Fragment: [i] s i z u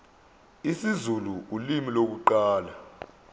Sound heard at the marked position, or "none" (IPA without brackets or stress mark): i